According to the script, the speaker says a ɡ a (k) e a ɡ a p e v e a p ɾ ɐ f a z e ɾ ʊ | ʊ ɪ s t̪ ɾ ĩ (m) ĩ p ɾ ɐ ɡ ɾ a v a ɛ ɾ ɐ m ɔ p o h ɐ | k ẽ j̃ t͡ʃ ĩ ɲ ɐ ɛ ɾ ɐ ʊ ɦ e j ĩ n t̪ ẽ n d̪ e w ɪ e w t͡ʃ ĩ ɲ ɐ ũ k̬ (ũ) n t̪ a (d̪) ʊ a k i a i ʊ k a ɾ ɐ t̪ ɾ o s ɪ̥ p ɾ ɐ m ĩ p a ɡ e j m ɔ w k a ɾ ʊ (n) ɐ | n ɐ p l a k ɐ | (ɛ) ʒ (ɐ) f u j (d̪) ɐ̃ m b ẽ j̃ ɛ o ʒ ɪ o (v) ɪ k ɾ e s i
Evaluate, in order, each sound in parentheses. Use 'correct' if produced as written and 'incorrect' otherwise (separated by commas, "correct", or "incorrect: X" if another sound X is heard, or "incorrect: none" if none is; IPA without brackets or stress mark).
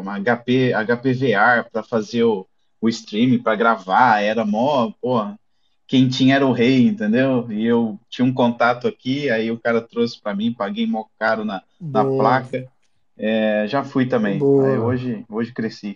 incorrect: p, correct, incorrect: õ, incorrect: t̪, correct, correct, incorrect: a, incorrect: t̪, incorrect: ʒ